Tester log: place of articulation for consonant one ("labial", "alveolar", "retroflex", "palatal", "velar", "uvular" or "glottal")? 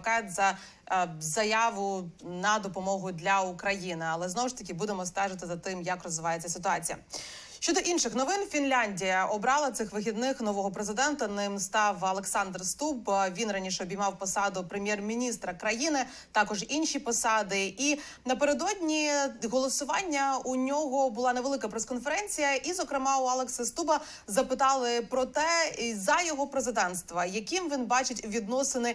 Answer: velar